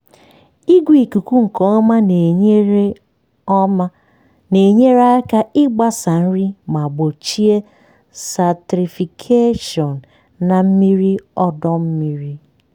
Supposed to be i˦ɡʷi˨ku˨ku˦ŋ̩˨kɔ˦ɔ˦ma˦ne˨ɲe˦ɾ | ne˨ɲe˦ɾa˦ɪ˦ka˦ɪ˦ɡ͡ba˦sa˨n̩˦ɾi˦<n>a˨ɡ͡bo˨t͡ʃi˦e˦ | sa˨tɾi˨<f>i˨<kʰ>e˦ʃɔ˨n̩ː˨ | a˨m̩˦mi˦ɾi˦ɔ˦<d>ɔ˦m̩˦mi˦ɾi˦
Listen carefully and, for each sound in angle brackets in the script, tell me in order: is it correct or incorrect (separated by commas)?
incorrect, correct, correct, correct